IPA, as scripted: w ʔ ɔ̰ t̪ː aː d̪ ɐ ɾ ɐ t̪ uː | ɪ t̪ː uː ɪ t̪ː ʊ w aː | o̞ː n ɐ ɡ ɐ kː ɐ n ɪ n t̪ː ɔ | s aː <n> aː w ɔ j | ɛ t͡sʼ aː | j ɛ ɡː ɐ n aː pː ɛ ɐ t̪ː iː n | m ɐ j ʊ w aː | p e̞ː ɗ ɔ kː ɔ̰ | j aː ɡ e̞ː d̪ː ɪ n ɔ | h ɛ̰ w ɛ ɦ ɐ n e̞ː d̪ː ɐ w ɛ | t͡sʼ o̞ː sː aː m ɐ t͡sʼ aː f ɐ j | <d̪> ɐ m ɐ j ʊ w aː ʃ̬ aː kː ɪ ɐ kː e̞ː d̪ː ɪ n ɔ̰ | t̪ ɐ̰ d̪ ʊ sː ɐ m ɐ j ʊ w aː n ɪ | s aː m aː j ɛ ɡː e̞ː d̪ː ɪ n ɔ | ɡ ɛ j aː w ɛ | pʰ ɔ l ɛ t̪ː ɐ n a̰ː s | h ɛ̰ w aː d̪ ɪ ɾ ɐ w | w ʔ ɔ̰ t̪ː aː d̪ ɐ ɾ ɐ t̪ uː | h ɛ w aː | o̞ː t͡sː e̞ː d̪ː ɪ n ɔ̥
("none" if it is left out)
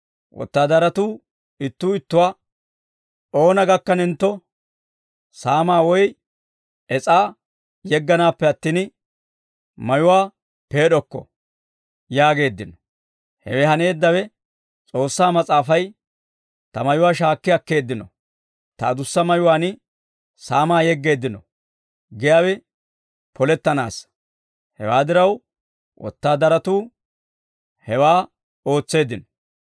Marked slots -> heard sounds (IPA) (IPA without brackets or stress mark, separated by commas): m, t̪